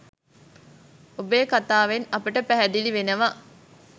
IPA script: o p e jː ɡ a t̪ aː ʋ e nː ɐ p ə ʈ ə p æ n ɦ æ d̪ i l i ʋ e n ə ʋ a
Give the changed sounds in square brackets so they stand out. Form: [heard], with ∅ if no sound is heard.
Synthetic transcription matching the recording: o [b] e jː [k] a t̪ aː ʋ e [n] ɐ p ə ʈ ə p æ [∅] ɦ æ d̪ i l i ʋ e n ə ʋ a